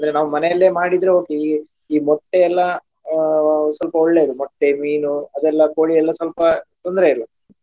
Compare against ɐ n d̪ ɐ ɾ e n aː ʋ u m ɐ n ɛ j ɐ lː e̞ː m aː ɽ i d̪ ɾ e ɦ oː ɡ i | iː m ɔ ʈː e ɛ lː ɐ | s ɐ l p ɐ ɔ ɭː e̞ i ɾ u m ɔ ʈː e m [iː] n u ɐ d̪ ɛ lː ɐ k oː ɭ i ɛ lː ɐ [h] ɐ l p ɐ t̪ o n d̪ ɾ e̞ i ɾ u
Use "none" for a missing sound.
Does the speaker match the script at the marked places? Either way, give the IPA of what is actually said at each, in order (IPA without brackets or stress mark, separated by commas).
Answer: iː, s